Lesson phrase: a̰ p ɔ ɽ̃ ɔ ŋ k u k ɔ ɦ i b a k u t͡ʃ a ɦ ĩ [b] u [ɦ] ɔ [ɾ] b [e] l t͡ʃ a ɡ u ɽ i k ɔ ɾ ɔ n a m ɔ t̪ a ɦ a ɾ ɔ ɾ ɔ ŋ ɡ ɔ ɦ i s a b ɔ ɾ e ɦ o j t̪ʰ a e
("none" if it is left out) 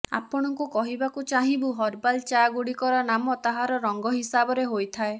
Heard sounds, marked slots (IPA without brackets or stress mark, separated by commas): b, ɦ, ɾ, a